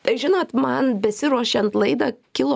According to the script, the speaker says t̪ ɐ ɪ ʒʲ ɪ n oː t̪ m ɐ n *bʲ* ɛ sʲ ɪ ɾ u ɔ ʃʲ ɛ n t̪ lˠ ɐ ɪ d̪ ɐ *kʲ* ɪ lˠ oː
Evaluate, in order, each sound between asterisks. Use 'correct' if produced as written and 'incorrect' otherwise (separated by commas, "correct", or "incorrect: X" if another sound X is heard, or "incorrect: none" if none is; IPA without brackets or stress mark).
correct, correct